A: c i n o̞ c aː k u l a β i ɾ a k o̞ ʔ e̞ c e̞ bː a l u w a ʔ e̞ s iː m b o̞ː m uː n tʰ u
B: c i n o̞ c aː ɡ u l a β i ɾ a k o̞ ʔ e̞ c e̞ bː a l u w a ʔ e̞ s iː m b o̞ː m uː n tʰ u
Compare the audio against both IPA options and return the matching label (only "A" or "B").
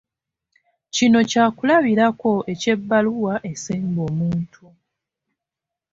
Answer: A